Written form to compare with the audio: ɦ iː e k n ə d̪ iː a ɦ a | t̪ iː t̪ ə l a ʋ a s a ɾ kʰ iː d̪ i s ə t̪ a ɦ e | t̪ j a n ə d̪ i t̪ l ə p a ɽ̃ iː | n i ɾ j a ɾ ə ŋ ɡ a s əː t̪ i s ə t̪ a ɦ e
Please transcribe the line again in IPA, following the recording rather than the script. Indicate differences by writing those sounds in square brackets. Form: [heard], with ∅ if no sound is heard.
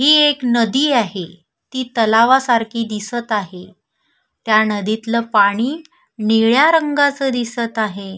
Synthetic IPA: ɦ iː e k n ə d̪ iː a ɦ [e] | t̪ iː t̪ ə l a ʋ a s a ɾ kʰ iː d̪ i s ə t̪ a ɦ e | t̪ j a n ə d̪ i t̪ l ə p a ɽ̃ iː | n i [ɭ] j a ɾ ə ŋ ɡ a [t͡s] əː [d̪] i s ə t̪ a ɦ e